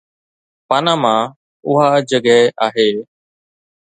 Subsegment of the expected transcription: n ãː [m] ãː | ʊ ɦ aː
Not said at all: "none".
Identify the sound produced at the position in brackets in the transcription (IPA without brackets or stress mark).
m